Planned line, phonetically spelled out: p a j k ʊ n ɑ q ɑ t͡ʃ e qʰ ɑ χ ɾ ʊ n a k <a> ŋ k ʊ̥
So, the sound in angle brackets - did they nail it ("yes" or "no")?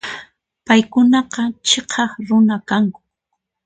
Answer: yes